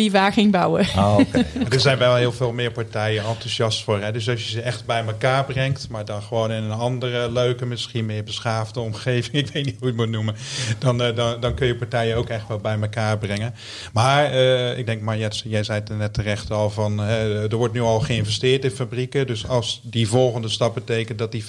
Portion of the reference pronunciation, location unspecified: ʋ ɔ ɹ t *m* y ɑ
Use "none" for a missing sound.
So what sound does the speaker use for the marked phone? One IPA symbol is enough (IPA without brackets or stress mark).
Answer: n